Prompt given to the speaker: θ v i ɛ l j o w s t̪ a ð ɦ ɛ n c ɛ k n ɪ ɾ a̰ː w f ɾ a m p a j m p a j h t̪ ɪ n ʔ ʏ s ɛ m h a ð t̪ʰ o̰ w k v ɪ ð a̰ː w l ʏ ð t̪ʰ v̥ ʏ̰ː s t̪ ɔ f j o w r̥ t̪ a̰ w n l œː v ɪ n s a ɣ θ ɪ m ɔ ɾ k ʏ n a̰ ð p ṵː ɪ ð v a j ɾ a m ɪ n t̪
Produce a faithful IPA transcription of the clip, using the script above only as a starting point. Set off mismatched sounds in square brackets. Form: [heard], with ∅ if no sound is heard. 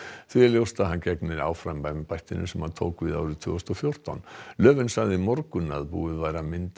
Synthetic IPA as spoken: θ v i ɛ l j o w s t̪ a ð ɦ [a] n c ɛ k n ɪ ɾ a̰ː w f ɾ a m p a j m p a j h t̪ ɪ n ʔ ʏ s ɛ m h a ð t̪ʰ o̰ w k v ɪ ð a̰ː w [ɾ] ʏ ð t̪ʰ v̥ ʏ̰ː s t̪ ɔ f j o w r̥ t̪ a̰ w n l œː v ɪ n s a ɣ [ð] ɪ m ɔ ɾ k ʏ n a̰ ð p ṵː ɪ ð v a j ɾ a m ɪ n t̪